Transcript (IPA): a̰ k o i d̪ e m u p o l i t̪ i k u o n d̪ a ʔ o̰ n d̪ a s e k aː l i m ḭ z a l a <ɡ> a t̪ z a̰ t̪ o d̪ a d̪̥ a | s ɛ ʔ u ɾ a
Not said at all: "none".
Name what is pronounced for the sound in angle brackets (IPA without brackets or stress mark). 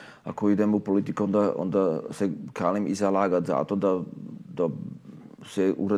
ɡ